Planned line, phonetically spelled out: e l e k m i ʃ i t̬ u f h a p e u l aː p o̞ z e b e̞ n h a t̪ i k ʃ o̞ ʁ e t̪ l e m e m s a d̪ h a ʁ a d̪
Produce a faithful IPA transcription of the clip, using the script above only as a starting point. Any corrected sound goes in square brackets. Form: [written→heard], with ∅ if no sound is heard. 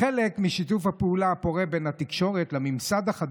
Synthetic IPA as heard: e l e k m i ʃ i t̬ u f h a p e u l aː p o̞ [z→ʁ] e b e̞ n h a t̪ i k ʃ o̞ ʁ e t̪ l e m [e→i] m s a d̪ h a [ʁ→χ] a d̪